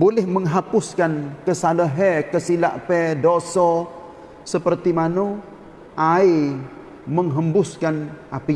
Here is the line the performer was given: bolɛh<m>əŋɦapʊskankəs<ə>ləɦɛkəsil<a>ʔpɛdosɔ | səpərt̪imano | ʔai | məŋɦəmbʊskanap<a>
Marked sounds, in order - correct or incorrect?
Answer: correct, incorrect: a, correct, incorrect: i

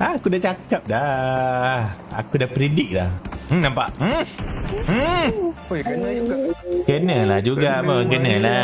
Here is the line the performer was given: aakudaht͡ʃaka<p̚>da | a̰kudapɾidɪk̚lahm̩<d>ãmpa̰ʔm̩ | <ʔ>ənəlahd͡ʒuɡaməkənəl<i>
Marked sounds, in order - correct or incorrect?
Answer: correct, incorrect: n, incorrect: k, incorrect: a

